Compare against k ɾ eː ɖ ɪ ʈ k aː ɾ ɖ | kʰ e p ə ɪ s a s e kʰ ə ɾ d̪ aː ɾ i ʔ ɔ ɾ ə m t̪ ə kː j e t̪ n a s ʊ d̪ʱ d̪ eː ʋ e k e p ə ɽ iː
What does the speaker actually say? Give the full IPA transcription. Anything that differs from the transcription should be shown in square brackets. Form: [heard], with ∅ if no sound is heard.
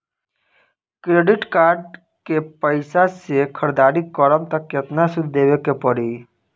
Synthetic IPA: k ɾ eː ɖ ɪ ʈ k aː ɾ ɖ | [k] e p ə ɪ s a s e kʰ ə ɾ d̪ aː ɾ i [k] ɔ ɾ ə m t̪ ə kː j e t̪ n a s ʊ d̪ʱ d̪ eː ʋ e k e p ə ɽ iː